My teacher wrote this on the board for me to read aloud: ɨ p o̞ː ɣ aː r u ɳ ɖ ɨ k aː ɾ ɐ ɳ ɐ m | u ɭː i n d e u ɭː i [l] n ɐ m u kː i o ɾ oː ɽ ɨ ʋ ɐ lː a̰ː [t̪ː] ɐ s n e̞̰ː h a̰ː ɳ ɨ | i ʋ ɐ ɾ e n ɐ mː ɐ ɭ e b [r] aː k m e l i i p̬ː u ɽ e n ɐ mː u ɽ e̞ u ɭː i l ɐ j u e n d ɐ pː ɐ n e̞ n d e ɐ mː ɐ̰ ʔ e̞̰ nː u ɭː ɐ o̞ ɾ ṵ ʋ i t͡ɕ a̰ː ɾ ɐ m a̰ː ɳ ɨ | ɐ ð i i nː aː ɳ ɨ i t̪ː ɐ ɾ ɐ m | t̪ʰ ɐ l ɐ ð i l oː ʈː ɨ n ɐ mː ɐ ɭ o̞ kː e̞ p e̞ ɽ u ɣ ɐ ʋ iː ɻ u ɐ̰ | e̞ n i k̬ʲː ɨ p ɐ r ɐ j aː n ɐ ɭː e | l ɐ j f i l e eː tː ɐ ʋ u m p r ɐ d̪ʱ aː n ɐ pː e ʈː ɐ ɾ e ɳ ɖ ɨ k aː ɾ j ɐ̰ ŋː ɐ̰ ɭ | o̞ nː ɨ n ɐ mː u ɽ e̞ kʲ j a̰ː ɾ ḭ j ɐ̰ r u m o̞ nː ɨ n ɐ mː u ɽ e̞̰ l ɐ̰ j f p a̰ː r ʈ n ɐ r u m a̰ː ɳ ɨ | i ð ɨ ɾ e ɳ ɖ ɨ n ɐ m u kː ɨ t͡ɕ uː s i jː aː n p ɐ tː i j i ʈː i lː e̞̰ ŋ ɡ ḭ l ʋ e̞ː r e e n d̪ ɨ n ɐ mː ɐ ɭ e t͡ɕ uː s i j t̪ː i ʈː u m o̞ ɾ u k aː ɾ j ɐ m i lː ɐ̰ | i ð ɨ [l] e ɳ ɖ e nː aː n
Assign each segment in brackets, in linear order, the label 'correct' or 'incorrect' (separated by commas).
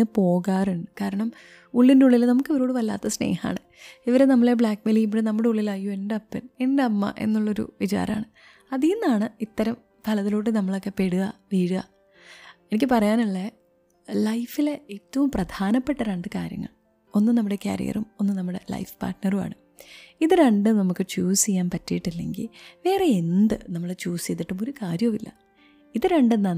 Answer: correct, correct, incorrect, incorrect